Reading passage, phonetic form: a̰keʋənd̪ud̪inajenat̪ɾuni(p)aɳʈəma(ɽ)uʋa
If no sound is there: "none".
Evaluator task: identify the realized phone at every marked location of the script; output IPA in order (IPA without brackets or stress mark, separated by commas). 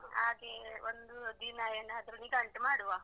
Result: k, ɽ